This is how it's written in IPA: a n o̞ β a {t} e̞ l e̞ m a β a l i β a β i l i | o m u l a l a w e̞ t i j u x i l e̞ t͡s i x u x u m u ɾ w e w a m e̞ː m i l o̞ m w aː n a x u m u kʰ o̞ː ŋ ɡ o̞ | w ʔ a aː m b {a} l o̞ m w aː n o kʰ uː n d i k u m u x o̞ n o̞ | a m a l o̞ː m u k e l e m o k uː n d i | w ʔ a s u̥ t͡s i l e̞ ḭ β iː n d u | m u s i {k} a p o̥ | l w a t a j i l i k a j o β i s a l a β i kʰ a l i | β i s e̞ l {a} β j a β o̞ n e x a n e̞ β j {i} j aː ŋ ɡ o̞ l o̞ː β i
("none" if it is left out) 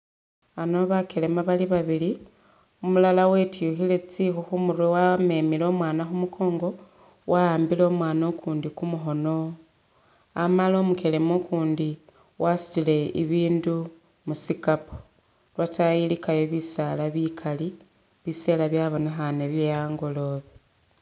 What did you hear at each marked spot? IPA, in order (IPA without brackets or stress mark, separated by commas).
k, i, k, a, e